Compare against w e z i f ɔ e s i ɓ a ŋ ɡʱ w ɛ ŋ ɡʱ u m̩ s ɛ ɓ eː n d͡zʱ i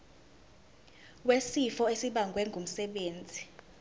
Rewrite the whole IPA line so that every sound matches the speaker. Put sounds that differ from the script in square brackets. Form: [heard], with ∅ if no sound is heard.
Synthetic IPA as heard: w e [s] i f ɔ e s i ɓ a ŋ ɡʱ w ɛ ŋ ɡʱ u m̩ s ɛ ɓ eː n d͡zʱ i

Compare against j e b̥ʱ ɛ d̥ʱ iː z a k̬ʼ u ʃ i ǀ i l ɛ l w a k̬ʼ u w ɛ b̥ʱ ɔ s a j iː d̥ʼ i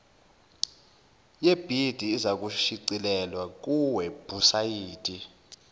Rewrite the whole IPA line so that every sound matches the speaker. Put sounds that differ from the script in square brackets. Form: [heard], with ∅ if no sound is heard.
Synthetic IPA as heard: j e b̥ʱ [i] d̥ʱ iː z a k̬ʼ u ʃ i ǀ i l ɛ l w a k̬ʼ u w ɛ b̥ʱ [u] s a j iː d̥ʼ i

